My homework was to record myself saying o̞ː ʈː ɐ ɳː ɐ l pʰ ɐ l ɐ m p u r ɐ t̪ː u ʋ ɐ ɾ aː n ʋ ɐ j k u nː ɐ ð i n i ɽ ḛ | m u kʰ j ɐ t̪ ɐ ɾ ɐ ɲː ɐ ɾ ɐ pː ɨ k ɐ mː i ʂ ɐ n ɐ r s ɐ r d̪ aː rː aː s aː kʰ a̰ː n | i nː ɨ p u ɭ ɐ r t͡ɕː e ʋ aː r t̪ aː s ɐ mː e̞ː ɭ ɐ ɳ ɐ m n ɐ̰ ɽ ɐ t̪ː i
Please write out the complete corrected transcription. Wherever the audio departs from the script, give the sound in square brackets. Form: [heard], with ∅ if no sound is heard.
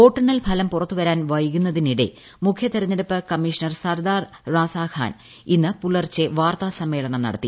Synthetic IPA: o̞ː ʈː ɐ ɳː ɐ l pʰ ɐ l ɐ m p u r ɐ t̪ː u ʋ ɐ ɾ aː n ʋ ɐ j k u nː ɐ ð i n i ɽ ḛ | m u kʰ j ɐ t̪ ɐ ɾ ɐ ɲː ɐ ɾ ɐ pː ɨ k ɐ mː i ʂ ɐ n ɐ r s ɐ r d̪ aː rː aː s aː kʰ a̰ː n | i nː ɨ p u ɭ ɐ r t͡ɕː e ʋ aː r t̪ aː s ɐ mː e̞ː ɭ ɐ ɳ ɐ m n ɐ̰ ɽ ɐ t̪ː i